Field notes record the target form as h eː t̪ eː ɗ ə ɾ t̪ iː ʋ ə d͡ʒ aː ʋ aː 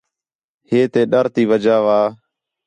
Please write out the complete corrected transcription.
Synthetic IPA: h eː t̪ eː ɗ ə ɾ t̪ iː ʋ ə d͡ʒ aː ʋ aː